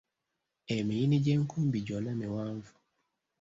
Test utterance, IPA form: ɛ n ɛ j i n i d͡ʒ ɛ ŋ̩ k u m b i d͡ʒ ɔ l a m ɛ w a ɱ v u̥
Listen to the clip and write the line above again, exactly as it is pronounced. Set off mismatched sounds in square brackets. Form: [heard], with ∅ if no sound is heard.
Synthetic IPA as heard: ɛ [m] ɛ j i n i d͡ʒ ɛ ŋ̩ k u m b i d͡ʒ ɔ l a m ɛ w a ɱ v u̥